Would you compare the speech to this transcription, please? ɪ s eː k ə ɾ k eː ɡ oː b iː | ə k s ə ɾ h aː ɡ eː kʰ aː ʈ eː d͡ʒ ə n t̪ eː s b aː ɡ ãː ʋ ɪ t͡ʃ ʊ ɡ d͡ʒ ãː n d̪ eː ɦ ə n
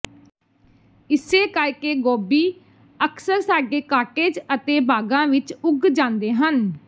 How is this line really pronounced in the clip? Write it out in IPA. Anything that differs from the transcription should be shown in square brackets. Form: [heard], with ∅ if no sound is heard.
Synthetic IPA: ɪ s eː k ə ɾ k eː ɡ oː b iː | ə k s ə ɾ [s] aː ɡ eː [k] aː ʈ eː d͡ʒ ə [∅] t̪ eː [∅] b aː ɡ ãː ʋ ɪ t͡ʃ ʊ ɡ d͡ʒ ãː n d̪ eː ɦ ə n

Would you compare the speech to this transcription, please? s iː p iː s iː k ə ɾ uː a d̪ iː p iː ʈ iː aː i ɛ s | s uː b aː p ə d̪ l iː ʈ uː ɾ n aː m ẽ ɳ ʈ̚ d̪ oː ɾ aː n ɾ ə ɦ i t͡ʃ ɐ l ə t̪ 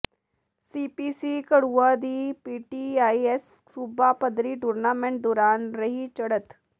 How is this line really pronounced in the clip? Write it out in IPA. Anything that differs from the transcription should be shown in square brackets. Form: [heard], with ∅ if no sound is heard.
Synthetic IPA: s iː p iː s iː k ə [ɽ] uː a d̪ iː p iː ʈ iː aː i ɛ s | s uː b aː p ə d̪ [ɾ] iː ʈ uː ɾ n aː m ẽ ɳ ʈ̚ d̪ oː ɾ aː n ɾ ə ɦ i t͡ʃ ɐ [ɽ] ə t̪

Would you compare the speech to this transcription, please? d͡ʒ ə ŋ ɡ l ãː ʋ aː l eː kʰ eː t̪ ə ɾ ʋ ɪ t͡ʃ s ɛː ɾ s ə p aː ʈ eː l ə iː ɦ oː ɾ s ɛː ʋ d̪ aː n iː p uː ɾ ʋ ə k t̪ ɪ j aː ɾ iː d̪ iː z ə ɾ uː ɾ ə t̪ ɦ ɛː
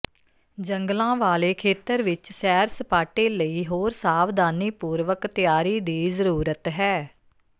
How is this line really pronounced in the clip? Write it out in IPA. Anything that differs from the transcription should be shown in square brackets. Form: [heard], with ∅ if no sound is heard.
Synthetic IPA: d͡ʒ ə ŋ ɡ l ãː ʋ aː l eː kʰ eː t̪ ə ɾ ʋ ɪ t͡ʃ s ɛː ɾ s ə p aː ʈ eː l ə iː ɦ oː ɾ s [aː] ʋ d̪ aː n iː p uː ɾ ʋ ə k t̪ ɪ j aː ɾ iː d̪ iː z ə ɾ uː ɾ ə t̪ ɦ ɛː

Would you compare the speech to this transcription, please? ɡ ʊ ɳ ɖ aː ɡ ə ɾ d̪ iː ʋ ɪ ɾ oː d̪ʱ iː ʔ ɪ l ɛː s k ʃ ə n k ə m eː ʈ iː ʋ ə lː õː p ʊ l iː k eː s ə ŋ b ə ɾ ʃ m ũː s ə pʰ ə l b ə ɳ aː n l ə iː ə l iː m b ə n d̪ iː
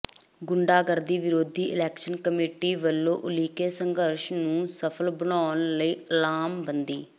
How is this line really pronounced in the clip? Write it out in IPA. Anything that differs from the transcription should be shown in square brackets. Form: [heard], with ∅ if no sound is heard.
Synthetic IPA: ɡ ʊ ɳ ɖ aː ɡ ə ɾ d̪ iː ʋ ɪ ɾ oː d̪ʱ iː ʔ ɪ l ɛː [∅] k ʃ ə n k ə m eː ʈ iː ʋ ə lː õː [ʔ] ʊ l iː k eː s ə ŋ [ɡ] ə ɾ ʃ [n] ũː s ə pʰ ə l b ə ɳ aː n l ə iː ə l [aː] m b ə n d̪ iː

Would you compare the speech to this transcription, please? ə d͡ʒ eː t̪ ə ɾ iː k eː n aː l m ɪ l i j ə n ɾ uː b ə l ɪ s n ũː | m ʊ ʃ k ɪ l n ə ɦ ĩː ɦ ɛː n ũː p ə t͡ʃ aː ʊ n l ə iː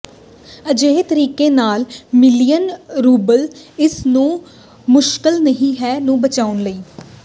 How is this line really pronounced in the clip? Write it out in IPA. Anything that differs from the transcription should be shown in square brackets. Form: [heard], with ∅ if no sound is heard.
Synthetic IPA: ə d͡ʒ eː t̪ ə ɾ iː k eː n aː l m ɪ l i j ə n ɾ uː b ə l ɪ s n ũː | m ʊ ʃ k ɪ l n ə ɦ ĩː ɦ ɛː n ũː [b] ə t͡ʃ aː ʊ n l ə iː

